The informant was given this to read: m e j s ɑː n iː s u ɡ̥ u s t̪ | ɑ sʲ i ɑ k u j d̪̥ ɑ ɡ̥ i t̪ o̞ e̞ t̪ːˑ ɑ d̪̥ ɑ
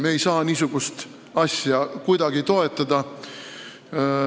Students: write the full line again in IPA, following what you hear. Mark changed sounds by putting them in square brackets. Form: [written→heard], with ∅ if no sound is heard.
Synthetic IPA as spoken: m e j s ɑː n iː s u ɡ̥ u s t̪ | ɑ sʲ [i→j] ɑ k u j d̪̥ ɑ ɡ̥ i t̪ o̞ e̞ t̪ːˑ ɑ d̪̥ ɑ